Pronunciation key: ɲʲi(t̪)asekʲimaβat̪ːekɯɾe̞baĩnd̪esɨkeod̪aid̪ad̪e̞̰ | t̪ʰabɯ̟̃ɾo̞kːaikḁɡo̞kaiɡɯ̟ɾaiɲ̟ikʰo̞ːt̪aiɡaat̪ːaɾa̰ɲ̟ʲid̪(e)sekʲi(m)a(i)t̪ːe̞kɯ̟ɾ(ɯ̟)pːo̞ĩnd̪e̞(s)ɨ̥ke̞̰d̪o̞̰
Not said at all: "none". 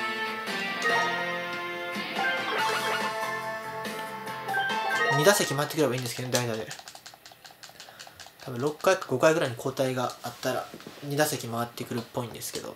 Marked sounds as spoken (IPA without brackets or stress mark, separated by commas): d̪, a, m, a, ɯ̟, s